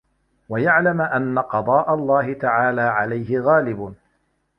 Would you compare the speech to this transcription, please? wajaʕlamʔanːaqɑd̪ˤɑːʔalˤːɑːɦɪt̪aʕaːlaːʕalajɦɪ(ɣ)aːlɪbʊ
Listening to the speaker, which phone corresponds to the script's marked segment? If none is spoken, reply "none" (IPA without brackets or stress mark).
ɣ